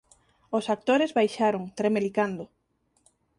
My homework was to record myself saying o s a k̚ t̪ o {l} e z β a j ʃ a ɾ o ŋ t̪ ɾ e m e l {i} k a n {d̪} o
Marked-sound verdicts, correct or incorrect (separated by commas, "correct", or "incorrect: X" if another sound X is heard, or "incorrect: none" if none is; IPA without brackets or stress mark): incorrect: ɾ, correct, correct